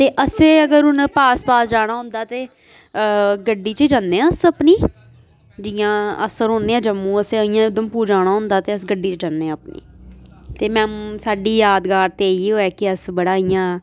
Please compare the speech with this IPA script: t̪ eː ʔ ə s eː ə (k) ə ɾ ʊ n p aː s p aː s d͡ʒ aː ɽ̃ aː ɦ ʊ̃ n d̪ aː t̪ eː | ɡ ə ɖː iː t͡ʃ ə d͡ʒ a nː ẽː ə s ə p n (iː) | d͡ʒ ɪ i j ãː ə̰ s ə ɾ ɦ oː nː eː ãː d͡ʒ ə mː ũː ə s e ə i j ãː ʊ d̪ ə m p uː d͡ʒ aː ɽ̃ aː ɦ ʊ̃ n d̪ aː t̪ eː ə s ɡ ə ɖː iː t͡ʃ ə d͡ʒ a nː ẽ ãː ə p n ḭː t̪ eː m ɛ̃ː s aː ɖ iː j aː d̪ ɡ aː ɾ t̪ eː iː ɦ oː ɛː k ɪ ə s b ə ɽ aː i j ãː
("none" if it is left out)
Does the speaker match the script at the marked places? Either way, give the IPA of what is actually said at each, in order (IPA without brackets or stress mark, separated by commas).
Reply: ɡ, iː